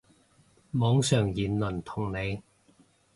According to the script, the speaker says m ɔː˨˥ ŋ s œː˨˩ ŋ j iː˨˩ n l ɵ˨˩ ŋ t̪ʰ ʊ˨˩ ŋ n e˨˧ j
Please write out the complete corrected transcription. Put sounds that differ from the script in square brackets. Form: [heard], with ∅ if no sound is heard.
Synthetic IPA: m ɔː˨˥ ŋ s œː˨˩ ŋ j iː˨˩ n l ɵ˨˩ [n] t̪ʰ ʊ˨˩ ŋ n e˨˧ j